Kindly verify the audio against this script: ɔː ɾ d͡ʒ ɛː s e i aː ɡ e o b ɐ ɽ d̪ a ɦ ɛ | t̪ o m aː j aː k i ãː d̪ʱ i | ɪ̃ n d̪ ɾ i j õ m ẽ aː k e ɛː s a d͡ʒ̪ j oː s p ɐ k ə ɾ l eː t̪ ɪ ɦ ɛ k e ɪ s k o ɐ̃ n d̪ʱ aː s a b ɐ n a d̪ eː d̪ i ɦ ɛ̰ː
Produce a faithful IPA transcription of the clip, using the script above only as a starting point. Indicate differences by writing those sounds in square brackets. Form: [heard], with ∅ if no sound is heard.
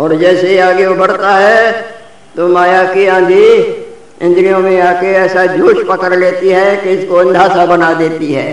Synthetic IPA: ɔː ɾ d͡ʒ ɛː s e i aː ɡ e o b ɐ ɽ [t̪] a ɦ ɛ | t̪ o m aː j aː k i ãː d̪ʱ i | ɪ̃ n d̪ ɾ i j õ m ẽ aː k e ɛː s a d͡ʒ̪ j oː [ʃ] p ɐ k ə ɾ l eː t̪ [i] ɦ ɛ k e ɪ s k o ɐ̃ n d̪ʱ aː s a b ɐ n a d̪ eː [t̪] i ɦ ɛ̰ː